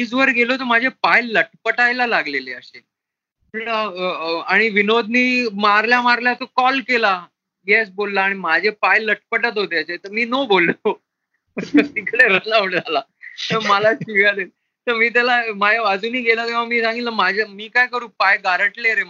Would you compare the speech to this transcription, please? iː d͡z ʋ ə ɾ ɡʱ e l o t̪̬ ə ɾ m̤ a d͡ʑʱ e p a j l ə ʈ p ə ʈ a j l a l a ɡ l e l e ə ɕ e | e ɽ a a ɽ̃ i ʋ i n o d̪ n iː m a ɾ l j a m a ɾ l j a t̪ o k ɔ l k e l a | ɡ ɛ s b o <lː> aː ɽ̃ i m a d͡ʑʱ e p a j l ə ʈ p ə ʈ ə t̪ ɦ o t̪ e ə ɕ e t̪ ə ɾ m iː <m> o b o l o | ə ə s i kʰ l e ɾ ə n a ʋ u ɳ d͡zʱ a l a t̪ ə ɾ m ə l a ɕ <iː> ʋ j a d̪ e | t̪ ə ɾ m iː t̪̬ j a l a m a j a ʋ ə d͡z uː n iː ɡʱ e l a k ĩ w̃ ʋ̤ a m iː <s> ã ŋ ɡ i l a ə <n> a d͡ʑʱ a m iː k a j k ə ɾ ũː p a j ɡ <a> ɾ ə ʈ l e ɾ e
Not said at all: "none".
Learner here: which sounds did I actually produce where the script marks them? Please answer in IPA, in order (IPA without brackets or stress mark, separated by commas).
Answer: lː, n, i, s, m, a